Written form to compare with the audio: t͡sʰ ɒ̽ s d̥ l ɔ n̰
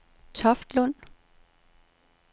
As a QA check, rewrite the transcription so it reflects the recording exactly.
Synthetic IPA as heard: t͡sʰ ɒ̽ f d̥ l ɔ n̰